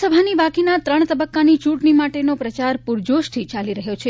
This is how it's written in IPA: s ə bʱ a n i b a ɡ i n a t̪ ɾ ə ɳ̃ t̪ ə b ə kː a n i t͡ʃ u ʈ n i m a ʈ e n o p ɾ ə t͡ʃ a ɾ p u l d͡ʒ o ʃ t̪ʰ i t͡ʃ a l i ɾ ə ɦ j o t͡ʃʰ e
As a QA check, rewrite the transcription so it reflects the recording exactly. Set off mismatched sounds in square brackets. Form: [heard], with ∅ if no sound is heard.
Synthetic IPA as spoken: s ə bʱ a n i b a [k] i n a t̪ ɾ ə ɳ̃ t̪ ə b ə kː a n i t͡ʃ u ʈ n i m a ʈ e n o p ɾ ə t͡ʃ a ɾ p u [ɾ] d͡ʒ o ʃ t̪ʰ i t͡ʃ a l i ɾ ə ɦ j o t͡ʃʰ e